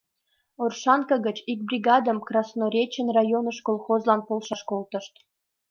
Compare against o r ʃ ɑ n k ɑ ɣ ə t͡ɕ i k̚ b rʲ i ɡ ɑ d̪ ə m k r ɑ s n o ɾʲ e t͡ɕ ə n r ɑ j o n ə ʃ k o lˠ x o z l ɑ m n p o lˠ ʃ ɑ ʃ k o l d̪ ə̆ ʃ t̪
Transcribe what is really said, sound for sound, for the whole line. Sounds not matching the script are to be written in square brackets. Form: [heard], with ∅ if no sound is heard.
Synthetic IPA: o r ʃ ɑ n k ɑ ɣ ə t͡ɕ i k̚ b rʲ i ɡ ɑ d̪ ə m k r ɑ s n o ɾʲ e t͡ɕ ə n r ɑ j o n ə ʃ k o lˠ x o z l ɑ [∅] n p o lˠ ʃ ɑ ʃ k o l [t̪] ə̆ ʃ t̪